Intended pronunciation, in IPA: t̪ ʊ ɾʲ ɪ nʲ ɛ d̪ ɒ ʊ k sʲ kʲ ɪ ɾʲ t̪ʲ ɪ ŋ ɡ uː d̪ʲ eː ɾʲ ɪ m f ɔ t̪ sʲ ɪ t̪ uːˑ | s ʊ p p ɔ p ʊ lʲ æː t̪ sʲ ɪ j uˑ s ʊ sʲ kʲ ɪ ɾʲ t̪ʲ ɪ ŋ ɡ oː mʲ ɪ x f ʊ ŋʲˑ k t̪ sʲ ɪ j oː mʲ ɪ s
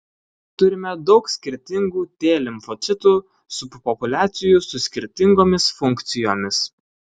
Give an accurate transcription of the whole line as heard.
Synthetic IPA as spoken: t̪ ʊ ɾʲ ɪ mʲ ɛ d̪ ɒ ʊ k sʲ kʲ ɪ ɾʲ t̪ʲ ɪ ŋ ɡ uː t̪ʲ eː lʲ ɪ m f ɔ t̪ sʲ ɪ t̪ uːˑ | s ʊ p p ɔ p ʊ lʲ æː t̪ sʲ ɪ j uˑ s ʊ sʲ kʲ ɪ ɾʲ t̪ʲ ɪ ŋ ɡ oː mʲ ɪ s f ʊ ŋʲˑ k t̪ sʲ ɪ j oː mʲ ɪ s